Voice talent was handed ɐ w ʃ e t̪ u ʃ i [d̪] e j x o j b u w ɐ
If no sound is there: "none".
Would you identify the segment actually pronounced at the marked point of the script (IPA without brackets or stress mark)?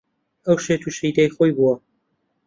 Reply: d̪